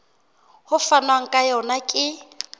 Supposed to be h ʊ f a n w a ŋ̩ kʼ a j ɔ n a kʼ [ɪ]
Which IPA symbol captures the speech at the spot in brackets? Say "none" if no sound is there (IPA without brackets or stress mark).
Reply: ɪ